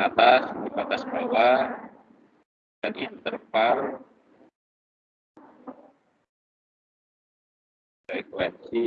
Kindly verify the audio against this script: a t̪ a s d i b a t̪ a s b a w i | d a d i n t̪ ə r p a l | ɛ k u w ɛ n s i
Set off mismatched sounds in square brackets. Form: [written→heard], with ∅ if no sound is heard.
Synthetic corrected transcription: a t̪ a s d i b a t̪ a s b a w [i→a] | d a [d→n] i n t̪ ə r p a l | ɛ k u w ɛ n s i